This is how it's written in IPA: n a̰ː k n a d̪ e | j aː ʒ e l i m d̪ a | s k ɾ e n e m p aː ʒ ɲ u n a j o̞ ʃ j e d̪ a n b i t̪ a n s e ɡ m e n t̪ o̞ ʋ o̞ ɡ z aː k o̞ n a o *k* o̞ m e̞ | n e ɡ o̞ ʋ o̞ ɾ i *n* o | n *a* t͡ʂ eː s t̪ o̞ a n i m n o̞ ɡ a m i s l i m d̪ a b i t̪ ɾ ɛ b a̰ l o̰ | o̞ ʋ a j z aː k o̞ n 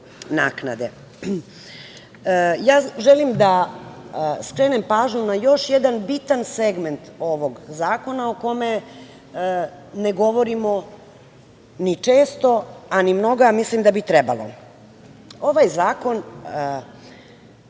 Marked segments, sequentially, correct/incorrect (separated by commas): correct, incorrect, incorrect